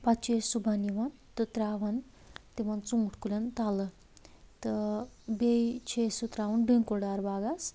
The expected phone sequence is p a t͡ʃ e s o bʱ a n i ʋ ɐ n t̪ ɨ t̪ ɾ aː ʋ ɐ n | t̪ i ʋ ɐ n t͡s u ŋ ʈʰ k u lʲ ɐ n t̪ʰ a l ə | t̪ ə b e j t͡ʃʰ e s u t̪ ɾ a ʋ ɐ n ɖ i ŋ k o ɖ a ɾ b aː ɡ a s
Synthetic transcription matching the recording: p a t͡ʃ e s u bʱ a n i ʋ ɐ n t̪ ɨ t̪ ɾ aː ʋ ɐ n | t̪ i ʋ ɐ n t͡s u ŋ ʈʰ k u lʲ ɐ n t̪ a l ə | t̪ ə b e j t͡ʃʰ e s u t̪ ɾ a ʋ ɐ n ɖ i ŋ k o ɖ a ɾ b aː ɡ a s

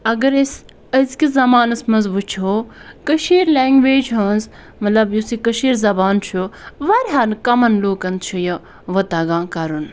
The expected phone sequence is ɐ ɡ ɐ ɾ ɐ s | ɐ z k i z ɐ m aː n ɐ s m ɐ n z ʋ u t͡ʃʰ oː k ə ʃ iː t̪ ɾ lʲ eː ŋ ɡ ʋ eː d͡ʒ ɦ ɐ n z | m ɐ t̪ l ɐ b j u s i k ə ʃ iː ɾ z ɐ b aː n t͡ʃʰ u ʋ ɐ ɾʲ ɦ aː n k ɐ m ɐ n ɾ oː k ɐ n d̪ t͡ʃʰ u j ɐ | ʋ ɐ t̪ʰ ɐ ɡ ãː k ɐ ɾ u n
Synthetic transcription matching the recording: ɐ ɡ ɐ ɾ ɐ s | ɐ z k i z ɐ m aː n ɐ s m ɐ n z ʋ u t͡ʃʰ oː k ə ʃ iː ɾ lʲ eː ŋ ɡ ʋ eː d͡ʒ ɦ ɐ n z | m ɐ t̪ l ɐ b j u s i k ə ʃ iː ɾ z ɐ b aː n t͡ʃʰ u ʋ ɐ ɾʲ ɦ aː n k ɐ m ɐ n l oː k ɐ n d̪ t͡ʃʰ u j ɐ | ʋ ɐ t̪ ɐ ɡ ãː k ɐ ɾ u n

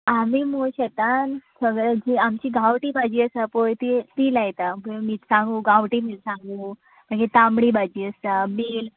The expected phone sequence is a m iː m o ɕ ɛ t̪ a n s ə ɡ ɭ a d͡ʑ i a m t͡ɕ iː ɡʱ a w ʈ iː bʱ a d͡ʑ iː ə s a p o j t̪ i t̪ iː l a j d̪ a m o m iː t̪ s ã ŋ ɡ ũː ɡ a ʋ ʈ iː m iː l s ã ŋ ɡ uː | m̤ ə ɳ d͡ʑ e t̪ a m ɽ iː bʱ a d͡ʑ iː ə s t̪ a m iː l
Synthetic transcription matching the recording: a m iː m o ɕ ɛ t̪ a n s ə ɡ ɭ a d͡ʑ i a m t͡ɕ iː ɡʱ a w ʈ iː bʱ a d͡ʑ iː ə s a p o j t̪ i t̪ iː l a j t̪ a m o m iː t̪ s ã ŋ ɡ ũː ɡ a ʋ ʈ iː m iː l s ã ŋ ɡ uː | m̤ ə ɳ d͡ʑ e t̪ a m ɽ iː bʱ a d͡ʑ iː ə s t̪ a m iː l

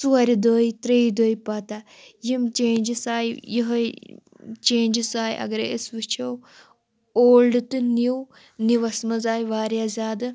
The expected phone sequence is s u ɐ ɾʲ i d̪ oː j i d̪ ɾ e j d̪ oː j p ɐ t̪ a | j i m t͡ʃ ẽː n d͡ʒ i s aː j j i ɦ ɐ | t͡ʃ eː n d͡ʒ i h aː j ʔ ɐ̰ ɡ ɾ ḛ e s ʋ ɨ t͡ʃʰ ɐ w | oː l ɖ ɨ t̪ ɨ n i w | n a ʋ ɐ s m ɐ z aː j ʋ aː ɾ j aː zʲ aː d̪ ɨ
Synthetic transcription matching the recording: s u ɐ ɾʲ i d̪ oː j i t̪ ɾ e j d̪ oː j p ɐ t̪ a | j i m t͡ʃ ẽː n d͡ʒ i s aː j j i ɦ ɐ | t͡ʃ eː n d͡ʒ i s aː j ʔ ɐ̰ ɡ ɾ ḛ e s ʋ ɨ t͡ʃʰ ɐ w | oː l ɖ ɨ t̪ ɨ n i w | n i ʋ ɐ s m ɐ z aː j ʋ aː ɾ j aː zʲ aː d̪ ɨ

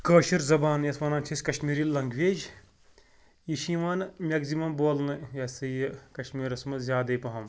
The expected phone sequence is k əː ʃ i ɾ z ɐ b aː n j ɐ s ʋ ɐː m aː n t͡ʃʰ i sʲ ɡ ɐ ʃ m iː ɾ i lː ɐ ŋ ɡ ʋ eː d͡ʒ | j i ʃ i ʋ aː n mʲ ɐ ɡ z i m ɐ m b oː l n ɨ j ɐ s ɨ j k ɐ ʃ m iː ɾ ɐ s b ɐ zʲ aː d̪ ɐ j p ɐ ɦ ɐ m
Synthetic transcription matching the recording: k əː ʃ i ɾ z ɐ b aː n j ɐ s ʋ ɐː n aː n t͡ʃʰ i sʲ k ɐ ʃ m iː ɾ i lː ɐ ŋ ɡ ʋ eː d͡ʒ | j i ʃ i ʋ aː n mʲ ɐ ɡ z i m ɐ m b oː l n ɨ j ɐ s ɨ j k ɐ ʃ m iː ɾ ɐ s m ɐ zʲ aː d̪ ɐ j p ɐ ɦ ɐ m

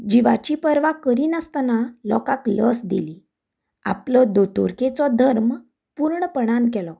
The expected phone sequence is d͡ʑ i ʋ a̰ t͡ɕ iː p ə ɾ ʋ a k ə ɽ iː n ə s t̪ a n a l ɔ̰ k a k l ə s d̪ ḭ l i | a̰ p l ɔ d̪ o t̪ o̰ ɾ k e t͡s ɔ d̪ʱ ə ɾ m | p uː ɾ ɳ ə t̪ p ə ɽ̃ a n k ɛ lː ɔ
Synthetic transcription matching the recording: d͡ʑ i ʋ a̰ t͡ɕ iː p ə ɾ ʋ a k ə ɾ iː n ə s t̪ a n a l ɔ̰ k a k l ə s d̪ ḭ l i | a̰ p l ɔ d̪ o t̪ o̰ ɾ k e t͡s ɔ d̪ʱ ə ɾ m | p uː ɾ ɳ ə p ə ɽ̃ a n k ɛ l ɔ

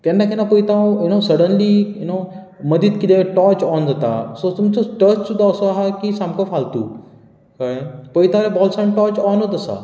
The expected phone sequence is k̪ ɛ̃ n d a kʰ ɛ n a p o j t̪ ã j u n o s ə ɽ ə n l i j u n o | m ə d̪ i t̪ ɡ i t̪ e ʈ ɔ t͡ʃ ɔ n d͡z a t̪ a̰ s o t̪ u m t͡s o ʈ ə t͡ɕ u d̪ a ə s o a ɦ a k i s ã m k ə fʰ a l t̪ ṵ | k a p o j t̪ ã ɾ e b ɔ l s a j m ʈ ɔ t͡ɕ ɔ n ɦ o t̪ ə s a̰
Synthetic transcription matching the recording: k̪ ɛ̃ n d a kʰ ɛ n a p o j t̪ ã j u n o s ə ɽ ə n l i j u n o | m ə d̪ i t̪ k i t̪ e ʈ ɔ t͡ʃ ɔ n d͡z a t̪ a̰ s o t̪ u m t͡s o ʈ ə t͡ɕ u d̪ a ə s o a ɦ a k i s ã m k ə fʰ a l t̪ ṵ | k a p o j t̪ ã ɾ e b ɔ l s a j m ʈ ɔ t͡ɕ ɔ n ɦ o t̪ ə s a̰

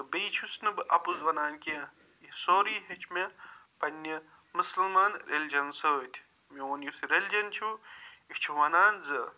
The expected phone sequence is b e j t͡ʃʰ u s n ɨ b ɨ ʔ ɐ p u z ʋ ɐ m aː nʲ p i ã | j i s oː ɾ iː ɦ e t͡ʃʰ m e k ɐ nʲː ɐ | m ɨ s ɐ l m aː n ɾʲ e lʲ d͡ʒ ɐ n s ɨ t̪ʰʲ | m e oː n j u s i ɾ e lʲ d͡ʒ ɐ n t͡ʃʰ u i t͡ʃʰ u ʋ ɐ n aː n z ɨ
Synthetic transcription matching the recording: b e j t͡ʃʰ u s n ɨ b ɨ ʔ ɐ p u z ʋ ɐ n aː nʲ k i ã | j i s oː ɾ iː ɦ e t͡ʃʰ m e p ɐ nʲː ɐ | m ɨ s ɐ l m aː n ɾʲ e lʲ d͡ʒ ɐ n s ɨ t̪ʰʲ | m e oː n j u s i ɾ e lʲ d͡ʒ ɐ n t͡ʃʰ u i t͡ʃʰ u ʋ ɐ n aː n z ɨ

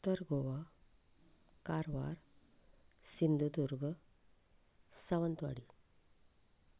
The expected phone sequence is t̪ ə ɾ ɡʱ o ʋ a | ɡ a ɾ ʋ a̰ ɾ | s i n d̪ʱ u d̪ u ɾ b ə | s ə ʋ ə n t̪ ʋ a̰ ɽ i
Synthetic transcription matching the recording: t̪ ə ɾ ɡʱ o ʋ a | k a ɾ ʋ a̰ ɾ | s i n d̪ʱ u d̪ u ɾ ɡ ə | s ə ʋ ə n t̪ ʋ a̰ ɽ i

